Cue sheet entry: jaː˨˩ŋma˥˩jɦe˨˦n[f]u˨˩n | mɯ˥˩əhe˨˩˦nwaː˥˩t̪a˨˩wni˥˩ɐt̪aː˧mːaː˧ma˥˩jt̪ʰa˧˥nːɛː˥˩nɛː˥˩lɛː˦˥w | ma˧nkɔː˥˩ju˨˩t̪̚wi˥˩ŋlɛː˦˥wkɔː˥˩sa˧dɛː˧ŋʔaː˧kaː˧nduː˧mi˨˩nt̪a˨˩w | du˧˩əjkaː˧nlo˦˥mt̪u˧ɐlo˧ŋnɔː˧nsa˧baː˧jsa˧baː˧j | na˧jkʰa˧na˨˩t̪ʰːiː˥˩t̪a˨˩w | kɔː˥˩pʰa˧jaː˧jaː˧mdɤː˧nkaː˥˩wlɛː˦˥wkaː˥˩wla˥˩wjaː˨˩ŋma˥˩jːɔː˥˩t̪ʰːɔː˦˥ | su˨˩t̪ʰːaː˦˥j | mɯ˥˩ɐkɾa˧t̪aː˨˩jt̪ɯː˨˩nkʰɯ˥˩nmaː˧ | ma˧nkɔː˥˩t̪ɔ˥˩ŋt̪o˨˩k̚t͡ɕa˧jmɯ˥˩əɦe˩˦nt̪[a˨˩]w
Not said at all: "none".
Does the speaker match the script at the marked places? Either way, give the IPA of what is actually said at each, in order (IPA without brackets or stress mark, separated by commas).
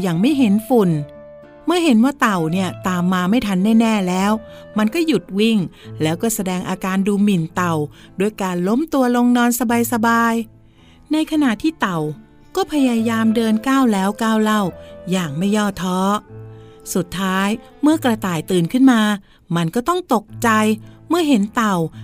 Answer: f, a˨˩